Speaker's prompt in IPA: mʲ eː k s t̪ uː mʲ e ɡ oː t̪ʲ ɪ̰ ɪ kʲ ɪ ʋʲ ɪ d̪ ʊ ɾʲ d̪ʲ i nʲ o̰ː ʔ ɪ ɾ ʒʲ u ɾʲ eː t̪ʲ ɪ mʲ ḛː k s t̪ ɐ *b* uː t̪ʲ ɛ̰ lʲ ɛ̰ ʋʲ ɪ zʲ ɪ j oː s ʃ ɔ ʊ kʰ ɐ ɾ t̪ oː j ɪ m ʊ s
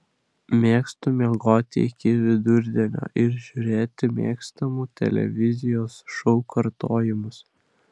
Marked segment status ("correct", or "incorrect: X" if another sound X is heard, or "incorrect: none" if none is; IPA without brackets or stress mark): incorrect: m